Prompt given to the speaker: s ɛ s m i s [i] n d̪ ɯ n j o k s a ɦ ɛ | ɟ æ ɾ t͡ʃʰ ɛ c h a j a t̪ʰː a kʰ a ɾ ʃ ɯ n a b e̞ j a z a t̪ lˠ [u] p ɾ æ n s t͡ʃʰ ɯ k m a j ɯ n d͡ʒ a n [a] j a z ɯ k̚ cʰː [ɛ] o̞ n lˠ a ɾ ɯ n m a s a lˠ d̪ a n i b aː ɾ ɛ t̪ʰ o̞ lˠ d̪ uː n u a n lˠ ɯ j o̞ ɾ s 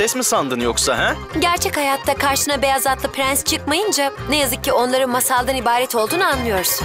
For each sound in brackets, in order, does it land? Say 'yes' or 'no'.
no, no, no, no

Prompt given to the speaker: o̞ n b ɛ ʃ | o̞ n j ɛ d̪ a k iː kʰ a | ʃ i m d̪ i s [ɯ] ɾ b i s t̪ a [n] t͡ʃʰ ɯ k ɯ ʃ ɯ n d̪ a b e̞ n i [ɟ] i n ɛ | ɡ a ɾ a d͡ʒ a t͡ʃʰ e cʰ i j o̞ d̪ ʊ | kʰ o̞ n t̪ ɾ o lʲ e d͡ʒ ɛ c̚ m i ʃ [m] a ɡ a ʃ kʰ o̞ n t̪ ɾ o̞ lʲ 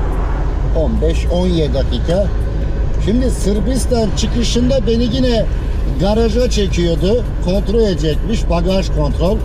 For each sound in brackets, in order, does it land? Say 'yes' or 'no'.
yes, yes, yes, no

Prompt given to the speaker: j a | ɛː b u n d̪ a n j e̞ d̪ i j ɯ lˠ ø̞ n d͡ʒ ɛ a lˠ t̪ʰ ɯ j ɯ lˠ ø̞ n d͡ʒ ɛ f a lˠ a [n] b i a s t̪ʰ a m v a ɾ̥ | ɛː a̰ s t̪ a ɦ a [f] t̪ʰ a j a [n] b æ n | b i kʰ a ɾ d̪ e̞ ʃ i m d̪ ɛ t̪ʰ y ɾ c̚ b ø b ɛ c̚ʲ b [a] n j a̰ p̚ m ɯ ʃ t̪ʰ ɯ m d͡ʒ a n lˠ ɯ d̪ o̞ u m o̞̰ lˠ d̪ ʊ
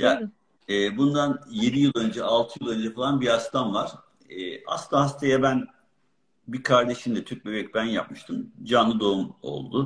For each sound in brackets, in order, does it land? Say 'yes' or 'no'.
yes, no, no, no

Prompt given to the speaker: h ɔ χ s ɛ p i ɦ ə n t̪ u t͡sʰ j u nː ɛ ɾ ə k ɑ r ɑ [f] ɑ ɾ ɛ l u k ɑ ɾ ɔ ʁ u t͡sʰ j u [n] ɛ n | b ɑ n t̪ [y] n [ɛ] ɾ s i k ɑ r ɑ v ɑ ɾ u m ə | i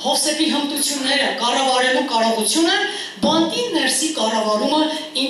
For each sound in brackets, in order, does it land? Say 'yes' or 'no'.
no, yes, no, yes

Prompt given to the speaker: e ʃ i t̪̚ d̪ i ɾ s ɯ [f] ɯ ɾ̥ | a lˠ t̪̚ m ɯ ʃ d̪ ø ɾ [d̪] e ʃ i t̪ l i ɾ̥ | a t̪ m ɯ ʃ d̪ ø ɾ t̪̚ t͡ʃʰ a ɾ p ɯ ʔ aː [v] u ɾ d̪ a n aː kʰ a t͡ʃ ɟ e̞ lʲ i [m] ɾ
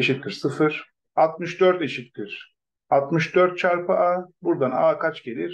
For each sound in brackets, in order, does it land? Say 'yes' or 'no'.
yes, no, no, no

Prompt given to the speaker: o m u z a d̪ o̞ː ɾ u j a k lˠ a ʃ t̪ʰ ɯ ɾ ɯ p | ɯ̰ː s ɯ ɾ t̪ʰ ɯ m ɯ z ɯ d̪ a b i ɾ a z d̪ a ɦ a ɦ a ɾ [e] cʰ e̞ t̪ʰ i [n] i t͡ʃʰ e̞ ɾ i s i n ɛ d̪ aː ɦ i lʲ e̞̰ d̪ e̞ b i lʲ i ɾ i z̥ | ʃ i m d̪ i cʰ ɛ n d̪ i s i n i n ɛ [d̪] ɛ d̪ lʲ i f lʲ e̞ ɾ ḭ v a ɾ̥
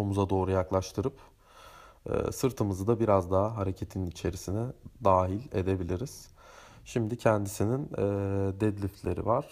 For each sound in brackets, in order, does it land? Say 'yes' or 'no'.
yes, yes, yes

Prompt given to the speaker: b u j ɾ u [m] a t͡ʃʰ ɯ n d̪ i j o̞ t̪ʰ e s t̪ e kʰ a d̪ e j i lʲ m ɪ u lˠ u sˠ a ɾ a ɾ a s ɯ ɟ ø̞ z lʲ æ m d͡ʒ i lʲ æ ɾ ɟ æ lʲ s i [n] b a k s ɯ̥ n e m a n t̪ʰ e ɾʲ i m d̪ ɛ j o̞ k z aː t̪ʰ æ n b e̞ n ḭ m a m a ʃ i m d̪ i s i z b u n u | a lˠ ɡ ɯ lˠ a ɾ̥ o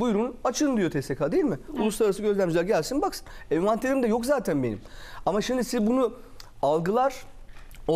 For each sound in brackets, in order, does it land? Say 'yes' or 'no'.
no, yes

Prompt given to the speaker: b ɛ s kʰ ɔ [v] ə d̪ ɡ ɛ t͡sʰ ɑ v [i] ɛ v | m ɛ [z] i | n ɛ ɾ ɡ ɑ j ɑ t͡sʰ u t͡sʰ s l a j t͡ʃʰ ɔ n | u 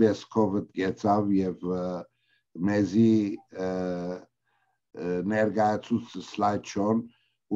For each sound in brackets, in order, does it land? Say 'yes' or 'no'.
yes, no, yes

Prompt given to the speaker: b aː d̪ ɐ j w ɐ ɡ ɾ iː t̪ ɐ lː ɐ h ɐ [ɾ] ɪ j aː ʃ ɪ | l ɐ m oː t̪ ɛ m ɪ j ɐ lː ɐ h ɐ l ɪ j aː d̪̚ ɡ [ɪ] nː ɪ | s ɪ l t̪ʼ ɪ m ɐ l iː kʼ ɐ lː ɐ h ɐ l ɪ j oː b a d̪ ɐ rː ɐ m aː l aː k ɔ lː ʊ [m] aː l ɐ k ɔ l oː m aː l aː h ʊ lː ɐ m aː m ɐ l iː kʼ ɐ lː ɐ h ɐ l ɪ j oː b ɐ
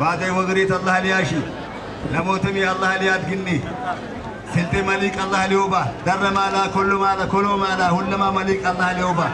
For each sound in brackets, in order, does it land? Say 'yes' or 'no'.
no, yes, yes

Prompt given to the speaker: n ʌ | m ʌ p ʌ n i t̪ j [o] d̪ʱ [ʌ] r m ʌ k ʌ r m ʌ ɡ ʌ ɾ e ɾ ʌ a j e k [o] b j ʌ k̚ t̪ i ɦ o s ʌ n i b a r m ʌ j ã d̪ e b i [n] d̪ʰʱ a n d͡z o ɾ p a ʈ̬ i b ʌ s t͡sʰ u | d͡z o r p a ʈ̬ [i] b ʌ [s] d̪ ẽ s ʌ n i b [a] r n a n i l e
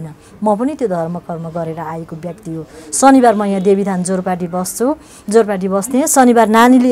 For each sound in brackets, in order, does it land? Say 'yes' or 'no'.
yes, yes, yes, no, yes, yes, yes

